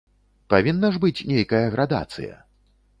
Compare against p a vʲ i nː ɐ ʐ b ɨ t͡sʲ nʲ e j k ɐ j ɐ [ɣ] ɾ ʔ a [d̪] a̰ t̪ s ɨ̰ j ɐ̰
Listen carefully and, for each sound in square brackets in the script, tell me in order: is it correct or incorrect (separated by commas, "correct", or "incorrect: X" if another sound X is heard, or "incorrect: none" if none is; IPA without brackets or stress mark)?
correct, correct